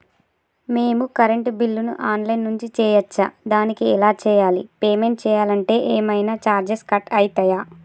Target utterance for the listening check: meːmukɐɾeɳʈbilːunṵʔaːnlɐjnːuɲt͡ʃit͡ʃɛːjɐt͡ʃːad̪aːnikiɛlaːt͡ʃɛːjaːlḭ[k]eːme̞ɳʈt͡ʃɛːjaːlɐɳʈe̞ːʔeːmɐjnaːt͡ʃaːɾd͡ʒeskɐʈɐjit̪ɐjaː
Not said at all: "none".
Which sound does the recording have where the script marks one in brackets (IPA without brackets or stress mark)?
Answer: p